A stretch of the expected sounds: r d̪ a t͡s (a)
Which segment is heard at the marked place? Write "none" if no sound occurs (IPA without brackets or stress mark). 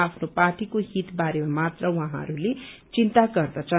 ʌ